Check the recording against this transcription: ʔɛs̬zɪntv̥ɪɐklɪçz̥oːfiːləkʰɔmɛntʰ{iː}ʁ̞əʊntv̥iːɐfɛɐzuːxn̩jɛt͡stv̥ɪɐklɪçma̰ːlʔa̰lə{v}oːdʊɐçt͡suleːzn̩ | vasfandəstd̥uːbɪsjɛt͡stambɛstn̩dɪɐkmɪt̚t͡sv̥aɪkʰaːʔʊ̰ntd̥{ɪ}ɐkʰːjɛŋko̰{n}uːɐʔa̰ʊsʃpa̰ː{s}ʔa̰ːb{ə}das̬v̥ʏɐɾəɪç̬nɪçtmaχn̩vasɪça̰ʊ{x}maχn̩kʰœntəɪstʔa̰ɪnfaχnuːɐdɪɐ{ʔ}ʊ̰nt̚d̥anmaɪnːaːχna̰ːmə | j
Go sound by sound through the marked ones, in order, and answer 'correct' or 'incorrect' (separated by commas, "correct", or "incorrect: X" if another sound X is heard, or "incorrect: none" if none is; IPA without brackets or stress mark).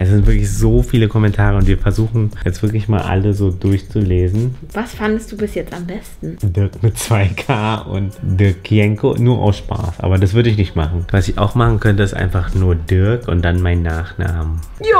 incorrect: aː, incorrect: z, correct, correct, correct, incorrect: ɐ, correct, incorrect: k